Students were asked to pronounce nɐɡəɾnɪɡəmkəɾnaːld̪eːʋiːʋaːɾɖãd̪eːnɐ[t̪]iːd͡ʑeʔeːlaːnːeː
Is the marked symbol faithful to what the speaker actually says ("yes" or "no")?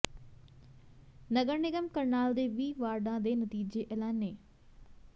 yes